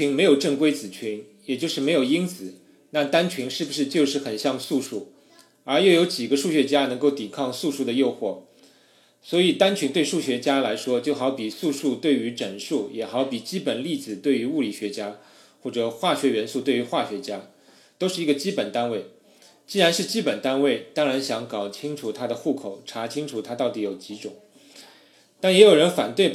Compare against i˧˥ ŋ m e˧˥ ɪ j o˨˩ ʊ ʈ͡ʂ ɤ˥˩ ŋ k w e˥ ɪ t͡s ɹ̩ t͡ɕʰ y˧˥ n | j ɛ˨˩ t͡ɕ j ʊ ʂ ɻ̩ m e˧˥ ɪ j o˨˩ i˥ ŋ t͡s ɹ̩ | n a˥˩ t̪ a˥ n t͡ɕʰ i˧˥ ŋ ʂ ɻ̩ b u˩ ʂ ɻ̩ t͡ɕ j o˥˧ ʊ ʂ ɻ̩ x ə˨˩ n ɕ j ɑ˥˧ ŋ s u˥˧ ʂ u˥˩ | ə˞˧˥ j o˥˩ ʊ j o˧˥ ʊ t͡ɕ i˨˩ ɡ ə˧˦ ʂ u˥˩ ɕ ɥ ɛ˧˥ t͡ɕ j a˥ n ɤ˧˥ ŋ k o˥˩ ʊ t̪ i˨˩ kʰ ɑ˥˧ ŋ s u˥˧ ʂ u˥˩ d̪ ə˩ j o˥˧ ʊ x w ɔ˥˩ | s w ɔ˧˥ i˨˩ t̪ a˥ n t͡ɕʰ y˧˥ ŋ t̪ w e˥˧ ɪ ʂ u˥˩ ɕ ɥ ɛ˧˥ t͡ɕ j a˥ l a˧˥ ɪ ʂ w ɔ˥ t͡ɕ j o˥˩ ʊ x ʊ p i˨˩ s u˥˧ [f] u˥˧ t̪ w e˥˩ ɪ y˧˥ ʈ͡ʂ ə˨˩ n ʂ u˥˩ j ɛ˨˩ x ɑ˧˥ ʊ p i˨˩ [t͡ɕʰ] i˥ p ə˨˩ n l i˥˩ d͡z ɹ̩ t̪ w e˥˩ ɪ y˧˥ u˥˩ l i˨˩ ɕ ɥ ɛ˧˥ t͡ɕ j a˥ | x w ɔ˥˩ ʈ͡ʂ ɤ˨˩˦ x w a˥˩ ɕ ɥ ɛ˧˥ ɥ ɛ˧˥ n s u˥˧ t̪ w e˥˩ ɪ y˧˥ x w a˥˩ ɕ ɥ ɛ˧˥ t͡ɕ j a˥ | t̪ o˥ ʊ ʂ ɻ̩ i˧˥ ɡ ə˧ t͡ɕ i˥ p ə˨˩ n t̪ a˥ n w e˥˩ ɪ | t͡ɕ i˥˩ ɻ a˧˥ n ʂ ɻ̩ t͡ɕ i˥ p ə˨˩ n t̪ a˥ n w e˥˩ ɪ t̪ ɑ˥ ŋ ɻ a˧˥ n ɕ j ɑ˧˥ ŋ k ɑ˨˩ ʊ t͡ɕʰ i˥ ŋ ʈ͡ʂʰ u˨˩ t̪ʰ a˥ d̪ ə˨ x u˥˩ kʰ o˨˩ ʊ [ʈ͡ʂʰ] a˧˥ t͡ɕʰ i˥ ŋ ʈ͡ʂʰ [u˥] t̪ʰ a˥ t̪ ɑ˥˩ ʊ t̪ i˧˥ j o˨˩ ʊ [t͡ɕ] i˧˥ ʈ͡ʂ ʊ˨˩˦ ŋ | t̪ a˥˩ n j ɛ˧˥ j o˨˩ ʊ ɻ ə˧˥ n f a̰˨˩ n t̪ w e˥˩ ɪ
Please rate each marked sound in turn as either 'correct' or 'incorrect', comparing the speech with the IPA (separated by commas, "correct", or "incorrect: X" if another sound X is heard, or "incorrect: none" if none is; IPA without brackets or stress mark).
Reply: incorrect: ʂ, incorrect: t͡ɕ, correct, incorrect: u˨˩, correct